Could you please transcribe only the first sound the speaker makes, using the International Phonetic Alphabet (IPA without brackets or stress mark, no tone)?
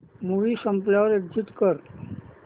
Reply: m